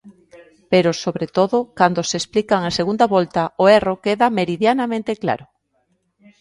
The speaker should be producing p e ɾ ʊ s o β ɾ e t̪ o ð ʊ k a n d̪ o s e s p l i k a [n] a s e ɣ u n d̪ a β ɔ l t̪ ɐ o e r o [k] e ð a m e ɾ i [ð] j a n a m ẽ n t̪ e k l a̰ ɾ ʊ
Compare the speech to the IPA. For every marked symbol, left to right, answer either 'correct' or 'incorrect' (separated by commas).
incorrect, correct, correct